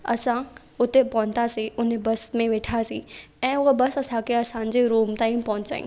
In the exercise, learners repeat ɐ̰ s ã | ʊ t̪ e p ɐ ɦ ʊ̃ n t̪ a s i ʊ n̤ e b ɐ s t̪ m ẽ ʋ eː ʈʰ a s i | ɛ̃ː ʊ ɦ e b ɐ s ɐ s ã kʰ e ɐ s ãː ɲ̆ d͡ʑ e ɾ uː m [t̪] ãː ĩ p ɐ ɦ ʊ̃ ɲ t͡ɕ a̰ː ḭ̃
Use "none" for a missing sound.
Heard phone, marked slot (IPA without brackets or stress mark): t̪